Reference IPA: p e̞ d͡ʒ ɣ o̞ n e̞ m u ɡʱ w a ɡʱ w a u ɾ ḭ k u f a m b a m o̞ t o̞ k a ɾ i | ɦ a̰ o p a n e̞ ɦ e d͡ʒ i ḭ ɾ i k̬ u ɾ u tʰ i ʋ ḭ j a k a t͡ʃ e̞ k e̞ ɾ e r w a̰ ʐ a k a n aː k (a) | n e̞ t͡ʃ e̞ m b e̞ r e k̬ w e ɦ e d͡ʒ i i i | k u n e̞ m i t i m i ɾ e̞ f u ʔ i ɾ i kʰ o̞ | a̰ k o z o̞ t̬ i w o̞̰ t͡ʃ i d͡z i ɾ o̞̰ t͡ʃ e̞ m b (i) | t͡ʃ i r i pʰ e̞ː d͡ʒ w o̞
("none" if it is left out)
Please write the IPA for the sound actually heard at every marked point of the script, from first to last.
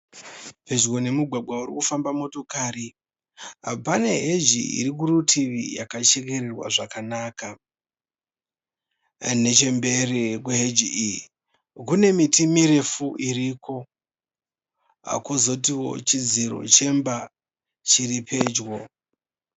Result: a, a

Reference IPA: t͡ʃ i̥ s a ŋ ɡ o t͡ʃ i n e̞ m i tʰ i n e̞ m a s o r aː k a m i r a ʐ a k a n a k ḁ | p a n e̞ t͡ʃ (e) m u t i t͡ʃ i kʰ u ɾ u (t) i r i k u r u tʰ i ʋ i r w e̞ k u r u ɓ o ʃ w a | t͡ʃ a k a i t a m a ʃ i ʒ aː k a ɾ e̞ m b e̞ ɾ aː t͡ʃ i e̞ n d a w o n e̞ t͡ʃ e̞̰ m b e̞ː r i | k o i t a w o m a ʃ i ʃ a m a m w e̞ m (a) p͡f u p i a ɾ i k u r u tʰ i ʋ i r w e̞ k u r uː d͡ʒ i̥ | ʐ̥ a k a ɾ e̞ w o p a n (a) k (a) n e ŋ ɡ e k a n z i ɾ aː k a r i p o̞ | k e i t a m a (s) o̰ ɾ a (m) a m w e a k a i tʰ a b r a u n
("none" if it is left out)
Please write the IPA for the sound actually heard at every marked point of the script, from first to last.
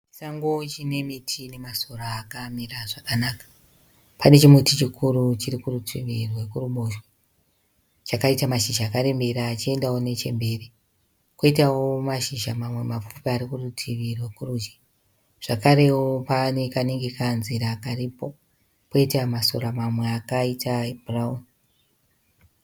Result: i, t͡ʃ, a, e, a, s, m

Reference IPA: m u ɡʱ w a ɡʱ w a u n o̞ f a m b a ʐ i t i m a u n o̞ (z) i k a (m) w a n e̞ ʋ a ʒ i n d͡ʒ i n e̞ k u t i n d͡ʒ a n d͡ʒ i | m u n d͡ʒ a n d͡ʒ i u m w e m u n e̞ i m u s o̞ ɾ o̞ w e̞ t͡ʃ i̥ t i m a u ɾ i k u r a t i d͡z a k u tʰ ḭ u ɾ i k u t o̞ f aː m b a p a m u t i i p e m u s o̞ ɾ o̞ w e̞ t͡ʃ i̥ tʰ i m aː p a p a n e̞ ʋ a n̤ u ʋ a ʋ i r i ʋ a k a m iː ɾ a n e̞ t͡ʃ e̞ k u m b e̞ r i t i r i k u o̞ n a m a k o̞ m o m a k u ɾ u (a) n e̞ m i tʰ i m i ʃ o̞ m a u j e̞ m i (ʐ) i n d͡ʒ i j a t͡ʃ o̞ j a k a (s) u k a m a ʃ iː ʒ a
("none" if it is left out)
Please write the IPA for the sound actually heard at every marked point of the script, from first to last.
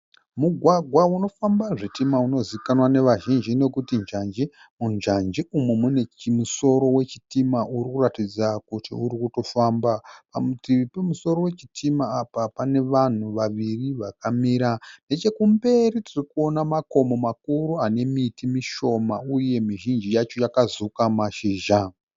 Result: z, n, a, ʒ, z

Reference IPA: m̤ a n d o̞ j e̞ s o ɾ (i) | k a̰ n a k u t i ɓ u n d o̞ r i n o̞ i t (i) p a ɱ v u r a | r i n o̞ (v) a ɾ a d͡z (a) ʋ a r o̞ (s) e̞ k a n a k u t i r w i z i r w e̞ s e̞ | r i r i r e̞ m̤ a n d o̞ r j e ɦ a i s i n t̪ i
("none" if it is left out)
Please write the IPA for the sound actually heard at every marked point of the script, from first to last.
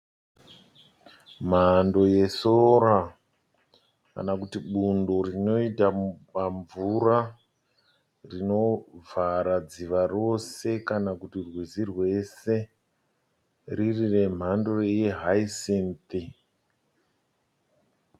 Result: a, a, v, i, s

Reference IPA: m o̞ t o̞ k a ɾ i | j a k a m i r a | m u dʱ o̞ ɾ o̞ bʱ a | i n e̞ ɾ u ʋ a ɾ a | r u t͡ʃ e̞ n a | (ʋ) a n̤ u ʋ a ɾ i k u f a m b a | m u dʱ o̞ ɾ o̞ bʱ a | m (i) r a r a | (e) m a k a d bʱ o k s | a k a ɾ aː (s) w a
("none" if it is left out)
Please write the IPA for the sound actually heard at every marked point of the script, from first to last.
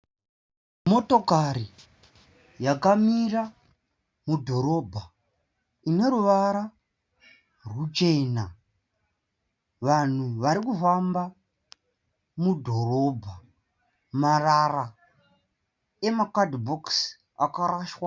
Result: ʋ, a, e, ʃ

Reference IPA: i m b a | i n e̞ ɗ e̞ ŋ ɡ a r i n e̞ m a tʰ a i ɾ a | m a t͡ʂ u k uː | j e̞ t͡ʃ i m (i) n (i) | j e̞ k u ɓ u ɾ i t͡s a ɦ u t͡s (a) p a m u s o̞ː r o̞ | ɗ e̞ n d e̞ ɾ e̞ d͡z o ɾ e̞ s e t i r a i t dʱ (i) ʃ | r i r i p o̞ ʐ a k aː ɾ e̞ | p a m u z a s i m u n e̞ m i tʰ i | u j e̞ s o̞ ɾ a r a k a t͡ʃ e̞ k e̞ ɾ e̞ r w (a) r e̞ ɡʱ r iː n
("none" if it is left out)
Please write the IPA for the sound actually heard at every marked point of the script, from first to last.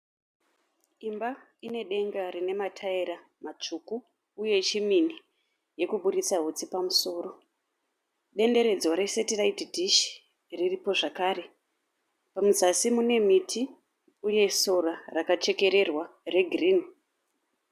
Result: i, i, i, i, a

